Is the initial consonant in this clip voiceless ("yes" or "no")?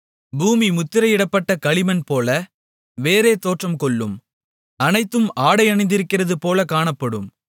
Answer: no